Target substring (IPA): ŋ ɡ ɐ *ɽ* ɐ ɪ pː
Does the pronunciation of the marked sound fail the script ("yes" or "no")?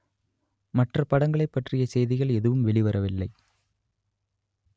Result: yes